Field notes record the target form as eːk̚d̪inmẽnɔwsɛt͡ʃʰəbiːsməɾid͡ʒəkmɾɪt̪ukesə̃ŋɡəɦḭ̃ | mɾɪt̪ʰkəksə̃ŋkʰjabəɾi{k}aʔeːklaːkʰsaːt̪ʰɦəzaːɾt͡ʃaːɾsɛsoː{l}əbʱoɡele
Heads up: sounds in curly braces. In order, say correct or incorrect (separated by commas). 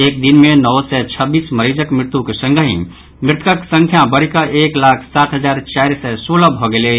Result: correct, correct